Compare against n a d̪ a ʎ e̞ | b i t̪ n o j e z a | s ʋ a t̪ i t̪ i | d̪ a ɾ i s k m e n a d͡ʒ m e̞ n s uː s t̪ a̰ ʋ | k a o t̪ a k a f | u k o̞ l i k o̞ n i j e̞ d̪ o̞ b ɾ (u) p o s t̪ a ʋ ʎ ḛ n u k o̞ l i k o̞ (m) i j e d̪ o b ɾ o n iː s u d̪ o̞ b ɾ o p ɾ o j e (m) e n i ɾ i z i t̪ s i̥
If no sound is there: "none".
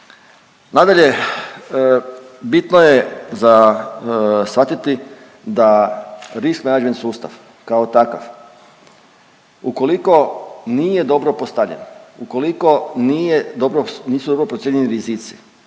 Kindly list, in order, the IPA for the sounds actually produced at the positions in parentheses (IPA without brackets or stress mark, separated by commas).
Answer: o, n, ɲ